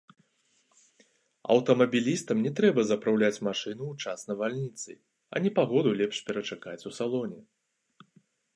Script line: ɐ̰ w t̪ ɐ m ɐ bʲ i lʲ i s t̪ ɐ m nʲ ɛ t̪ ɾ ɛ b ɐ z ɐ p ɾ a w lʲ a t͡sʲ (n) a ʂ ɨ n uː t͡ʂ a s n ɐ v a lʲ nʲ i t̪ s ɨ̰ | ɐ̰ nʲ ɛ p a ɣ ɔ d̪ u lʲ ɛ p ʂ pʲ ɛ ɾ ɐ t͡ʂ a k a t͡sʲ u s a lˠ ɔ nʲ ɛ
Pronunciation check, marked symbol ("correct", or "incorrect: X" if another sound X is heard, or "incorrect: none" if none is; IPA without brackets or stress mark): incorrect: m